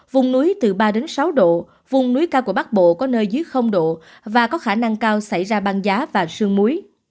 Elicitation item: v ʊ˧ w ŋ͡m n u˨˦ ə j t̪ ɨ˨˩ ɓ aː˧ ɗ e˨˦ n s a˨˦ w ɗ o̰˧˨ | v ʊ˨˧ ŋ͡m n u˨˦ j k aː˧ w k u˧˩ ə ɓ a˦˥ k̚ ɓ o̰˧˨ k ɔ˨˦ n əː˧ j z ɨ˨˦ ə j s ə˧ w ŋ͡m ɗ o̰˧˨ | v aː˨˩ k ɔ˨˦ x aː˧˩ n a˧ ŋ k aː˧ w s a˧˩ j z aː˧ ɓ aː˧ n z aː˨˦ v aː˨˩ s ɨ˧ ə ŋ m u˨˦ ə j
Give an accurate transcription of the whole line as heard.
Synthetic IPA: v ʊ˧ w ŋ͡m n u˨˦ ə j t̪ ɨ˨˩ ɓ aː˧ ɗ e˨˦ n s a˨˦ w ɗ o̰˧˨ | v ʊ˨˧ ŋ͡m n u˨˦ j k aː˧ w k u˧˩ ə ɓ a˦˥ k̚ ɓ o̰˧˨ k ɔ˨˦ n əː˧ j z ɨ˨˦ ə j x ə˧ w ŋ͡m ɗ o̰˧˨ | v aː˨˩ k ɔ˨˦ x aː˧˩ n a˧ ŋ k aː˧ w s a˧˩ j z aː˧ ɓ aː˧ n z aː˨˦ v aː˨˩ s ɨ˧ ə ŋ m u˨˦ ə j

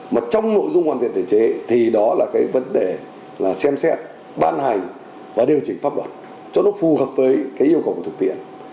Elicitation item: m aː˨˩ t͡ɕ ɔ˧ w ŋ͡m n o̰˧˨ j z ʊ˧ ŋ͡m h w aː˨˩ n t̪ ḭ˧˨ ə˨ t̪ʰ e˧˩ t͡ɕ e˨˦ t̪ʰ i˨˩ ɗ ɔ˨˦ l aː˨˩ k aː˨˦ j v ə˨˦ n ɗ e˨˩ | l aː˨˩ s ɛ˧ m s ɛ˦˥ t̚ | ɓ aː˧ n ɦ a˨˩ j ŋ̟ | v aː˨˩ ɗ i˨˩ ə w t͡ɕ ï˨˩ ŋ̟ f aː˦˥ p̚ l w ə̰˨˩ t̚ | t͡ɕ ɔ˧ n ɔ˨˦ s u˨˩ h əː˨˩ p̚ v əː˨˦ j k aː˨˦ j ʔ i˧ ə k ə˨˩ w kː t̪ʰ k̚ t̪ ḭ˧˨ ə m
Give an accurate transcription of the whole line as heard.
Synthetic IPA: m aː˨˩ t͡ɕ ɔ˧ w ŋ͡m n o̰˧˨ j z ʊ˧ ŋ͡m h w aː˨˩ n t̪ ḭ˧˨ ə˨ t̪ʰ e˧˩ t͡ɕ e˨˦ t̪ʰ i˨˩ ɗ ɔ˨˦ l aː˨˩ k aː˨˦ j v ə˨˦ n ɗ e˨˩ | l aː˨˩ s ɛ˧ m s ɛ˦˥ t̚ | ɓ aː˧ n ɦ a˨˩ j ŋ̟ | v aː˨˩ ɗ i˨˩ ə w t͡ɕ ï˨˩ ŋ̟ f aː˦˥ p̚ l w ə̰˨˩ t̚ | t͡ɕ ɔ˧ n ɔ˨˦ f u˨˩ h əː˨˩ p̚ v əː˨˦ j k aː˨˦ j ʔ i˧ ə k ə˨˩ w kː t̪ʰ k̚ t̪ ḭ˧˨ ə n

